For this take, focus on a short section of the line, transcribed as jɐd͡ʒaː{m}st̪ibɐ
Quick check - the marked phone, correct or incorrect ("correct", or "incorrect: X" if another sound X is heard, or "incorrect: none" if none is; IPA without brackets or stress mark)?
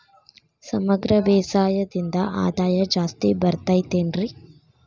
incorrect: none